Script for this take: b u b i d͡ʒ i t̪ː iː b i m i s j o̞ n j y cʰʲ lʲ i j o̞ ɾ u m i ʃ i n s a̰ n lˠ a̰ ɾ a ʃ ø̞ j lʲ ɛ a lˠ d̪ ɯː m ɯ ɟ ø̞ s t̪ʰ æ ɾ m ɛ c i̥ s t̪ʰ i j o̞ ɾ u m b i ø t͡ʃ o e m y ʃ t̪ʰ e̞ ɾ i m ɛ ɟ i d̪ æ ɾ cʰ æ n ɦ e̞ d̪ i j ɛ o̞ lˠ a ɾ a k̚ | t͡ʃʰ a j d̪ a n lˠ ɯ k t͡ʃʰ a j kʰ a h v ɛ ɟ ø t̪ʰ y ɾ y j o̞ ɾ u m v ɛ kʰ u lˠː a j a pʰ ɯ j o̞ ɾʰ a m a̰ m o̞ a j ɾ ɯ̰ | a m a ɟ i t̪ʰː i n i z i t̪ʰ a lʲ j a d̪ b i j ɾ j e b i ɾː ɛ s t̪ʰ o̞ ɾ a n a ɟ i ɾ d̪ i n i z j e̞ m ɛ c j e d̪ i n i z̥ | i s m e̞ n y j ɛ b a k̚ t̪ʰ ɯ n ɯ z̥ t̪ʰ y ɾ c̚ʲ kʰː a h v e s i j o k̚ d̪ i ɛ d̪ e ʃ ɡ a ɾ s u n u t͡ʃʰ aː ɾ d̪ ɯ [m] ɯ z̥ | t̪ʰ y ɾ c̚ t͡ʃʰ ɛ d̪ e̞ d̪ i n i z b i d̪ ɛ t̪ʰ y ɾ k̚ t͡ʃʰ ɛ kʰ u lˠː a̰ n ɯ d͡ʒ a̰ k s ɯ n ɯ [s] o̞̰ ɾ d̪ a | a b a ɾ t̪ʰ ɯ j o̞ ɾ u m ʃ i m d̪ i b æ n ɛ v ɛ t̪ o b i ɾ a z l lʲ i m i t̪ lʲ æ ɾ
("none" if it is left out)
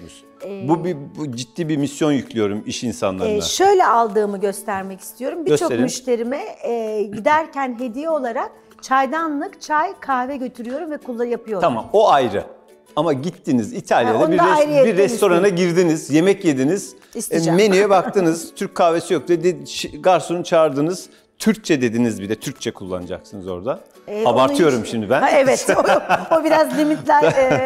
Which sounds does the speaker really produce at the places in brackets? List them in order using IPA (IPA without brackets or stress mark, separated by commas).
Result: n, z